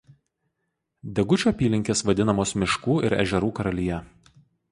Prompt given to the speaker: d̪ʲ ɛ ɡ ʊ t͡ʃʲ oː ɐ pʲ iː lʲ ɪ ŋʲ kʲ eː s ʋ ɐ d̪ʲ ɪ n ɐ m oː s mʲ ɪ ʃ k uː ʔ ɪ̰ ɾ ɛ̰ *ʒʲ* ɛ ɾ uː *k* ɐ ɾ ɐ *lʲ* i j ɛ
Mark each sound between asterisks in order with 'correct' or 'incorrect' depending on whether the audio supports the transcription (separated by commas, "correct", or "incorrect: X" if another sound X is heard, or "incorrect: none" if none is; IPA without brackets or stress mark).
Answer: correct, correct, correct